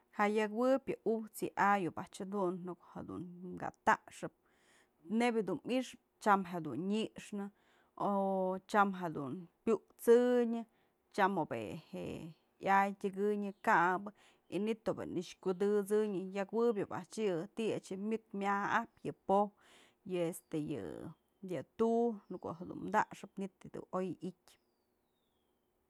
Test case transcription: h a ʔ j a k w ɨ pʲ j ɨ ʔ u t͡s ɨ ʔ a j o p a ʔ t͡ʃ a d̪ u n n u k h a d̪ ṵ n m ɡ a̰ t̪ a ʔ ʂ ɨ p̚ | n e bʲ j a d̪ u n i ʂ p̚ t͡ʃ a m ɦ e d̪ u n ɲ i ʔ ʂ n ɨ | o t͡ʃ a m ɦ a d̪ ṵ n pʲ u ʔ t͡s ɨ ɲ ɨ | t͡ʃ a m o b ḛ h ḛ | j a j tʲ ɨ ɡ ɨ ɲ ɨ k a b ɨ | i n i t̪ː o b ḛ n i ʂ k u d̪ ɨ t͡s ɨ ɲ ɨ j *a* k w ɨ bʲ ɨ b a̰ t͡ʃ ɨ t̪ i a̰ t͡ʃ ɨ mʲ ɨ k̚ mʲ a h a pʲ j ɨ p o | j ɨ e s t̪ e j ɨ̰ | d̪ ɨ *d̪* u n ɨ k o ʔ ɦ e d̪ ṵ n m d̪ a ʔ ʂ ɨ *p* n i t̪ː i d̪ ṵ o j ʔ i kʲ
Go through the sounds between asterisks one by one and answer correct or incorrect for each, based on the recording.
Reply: correct, incorrect: t̪, correct

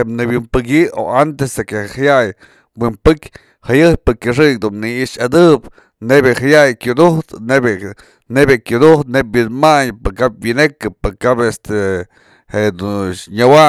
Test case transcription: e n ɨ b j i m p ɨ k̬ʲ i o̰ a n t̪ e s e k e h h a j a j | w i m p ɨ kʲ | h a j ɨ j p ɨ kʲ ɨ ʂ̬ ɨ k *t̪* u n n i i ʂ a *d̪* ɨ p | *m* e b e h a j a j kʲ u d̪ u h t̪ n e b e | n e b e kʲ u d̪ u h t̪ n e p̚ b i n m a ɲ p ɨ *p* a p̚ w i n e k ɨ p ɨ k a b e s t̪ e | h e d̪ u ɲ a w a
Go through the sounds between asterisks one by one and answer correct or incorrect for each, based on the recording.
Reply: incorrect: d̪, correct, incorrect: n, incorrect: k

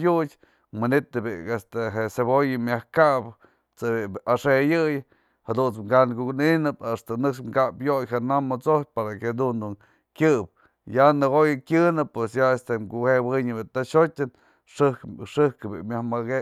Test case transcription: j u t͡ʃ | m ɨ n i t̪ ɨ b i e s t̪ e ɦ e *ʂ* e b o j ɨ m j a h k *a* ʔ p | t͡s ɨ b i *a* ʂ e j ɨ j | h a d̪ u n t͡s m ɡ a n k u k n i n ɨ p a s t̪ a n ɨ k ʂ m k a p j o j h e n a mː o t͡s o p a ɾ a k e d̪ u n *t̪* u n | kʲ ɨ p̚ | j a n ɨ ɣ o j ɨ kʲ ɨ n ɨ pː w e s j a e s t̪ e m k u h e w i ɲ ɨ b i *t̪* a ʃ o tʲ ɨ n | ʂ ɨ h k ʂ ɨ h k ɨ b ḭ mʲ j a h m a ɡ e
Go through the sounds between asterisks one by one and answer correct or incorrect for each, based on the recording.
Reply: incorrect: s, correct, correct, incorrect: d̪, correct

